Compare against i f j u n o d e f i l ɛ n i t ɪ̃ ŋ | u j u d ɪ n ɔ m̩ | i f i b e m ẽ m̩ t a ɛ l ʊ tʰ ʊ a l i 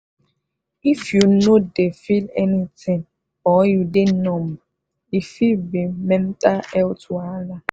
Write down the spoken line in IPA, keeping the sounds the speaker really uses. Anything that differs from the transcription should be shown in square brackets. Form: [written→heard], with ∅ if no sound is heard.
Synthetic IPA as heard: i f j u n o d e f i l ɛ n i t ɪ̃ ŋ | [u→ɔ] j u d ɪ n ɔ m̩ | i f i b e m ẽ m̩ t a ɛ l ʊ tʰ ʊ a l [i→a]

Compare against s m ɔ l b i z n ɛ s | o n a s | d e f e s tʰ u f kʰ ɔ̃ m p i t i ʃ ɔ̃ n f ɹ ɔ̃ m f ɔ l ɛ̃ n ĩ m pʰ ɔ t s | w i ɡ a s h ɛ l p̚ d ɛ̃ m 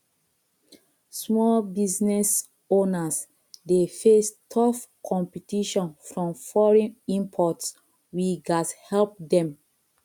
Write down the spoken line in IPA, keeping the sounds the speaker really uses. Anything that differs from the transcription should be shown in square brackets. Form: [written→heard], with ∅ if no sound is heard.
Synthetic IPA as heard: s m ɔ l b i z n ɛ s | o n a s | d e f e s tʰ [u→ɔ] f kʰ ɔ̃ m p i t i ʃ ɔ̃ n f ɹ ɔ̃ m f ɔ [l→ɹ] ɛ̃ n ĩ m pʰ ɔ t s | w i ɡ a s h ɛ l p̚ d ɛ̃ m

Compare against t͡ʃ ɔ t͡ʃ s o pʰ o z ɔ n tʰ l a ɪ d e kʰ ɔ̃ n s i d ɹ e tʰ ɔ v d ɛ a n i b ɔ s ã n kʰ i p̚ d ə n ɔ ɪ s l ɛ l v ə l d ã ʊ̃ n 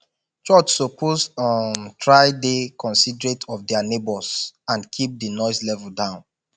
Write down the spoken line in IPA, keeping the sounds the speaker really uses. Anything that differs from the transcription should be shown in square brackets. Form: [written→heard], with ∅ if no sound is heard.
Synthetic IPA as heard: t͡ʃ ɔ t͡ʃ s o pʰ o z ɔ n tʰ [l→ɹ] a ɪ d e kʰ ɔ̃ n s i d ɹ e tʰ ɔ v d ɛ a n [i→e] b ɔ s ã n kʰ i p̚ d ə n ɔ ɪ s l ɛ [l→∅] v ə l d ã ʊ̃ n

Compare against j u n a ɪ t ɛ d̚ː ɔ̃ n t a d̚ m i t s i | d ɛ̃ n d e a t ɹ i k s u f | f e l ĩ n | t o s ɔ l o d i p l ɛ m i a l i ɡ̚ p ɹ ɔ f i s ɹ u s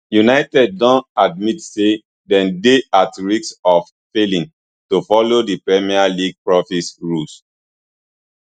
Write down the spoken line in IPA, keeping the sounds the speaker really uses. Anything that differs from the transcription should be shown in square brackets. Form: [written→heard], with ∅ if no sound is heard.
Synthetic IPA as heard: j u n a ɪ t ɛ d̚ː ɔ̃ n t a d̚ m i t s [i→e] | d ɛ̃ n d e a t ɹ i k s [u→ɔ] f | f e l ĩ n | t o [s→f] ɔ l o d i p [l→ɹ] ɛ m i a l i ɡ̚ p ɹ ɔ f i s ɹ u s

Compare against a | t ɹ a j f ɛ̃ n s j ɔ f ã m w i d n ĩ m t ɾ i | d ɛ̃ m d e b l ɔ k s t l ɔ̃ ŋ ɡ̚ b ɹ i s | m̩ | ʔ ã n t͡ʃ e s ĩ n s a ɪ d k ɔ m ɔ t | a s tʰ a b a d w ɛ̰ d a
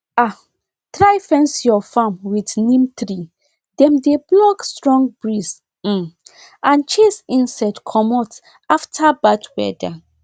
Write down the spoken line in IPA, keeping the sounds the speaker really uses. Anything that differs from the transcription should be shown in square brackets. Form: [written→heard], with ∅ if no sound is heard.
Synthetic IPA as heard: a | t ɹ a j f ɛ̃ n s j ɔ f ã m w i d n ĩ m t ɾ i | d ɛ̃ m d e b l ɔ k s t [l→ɹ] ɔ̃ ŋ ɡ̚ b ɹ i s | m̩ | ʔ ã n t͡ʃ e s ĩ n s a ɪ d [k→kʰ] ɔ m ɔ t | a [s→f] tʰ a b a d w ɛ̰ d a

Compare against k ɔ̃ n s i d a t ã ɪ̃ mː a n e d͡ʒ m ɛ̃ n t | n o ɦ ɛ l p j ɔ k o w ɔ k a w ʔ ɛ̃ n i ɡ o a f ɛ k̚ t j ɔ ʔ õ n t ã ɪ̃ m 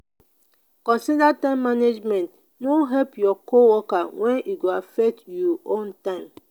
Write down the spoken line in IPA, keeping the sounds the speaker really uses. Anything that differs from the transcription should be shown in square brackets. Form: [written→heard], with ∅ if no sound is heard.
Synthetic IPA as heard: k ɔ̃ n s i d a t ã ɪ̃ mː a n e d͡ʒ m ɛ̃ n t | n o ɦ ɛ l p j ɔ k o w ɔ k a w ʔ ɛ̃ n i ɡ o a f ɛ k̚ t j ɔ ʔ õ n t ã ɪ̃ m

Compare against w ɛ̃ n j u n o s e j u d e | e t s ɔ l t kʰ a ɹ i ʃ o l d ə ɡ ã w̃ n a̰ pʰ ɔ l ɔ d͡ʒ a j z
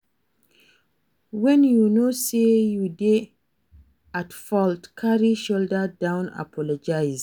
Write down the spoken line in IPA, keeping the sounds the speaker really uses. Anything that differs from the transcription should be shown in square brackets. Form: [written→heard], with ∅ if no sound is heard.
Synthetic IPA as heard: w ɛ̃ n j u n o s e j u d e | [e→a] t [s→f] ɔ l t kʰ a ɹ i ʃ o l d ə [ɡ→d] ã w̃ n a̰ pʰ ɔ l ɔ d͡ʒ a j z

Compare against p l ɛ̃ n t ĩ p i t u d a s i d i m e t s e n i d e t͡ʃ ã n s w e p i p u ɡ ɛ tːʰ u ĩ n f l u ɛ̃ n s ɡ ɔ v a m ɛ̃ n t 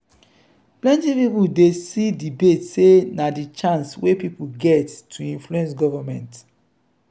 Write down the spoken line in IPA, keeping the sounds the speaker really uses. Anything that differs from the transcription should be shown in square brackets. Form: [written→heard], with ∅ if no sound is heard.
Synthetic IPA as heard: p l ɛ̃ n t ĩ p i [t→p] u d [a→e] s i d i [m→b] e t s e n [i→a] d [e→i] t͡ʃ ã n s w e p i p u ɡ ɛ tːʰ u ĩ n f l u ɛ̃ n s ɡ ɔ v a m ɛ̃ n t

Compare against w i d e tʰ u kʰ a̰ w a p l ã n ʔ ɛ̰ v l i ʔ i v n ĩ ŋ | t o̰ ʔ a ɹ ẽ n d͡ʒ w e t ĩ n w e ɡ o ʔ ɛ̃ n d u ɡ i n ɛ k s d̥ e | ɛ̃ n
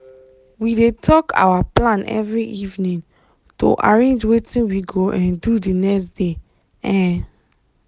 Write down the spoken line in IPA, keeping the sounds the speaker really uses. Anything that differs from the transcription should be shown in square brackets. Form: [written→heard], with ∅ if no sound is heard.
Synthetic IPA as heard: w i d e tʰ [u→ɔ] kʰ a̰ w a p l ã n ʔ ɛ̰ v [l→ɹ] i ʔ i v n ĩ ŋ | t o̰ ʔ a ɹ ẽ n d͡ʒ w e t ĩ n w [e→i] ɡ o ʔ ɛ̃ n d u [ɡ→d] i n ɛ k s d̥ e | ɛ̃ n

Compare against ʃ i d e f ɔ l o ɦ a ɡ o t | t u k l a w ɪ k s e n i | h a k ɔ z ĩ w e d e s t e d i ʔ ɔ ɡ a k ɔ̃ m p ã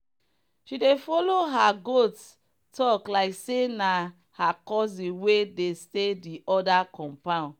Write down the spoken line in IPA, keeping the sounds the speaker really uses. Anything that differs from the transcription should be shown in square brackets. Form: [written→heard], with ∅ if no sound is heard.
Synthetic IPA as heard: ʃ i d e f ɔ l o ɦ a ɡ o t | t [u→ɔ] k l a [w→∅] ɪ k s e n [i→a] | h a k ɔ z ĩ w e d e s t e d i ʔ ɔ [ɡ→d] a k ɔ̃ m p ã

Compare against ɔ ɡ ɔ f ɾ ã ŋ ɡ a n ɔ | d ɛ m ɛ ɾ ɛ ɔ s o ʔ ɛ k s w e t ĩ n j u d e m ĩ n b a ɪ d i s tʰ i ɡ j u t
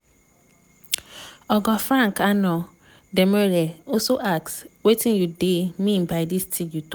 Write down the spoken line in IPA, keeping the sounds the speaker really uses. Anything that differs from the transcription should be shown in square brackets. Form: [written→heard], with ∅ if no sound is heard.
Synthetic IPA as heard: ɔ ɡ ɔ f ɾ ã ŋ [ɡ→k] a n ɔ | d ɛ m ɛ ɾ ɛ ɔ s o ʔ [ɛ→a] k s w e t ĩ n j u d e m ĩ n b a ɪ d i s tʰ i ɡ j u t

